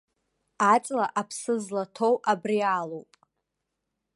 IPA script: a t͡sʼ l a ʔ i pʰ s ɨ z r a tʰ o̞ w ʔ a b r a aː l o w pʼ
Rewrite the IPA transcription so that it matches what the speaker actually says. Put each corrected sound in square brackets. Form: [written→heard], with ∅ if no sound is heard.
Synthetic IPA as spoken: a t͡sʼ l a ʔ [i→a] pʰ s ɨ z [r→l] a tʰ o̞ w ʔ a b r [a→i] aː l o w pʼ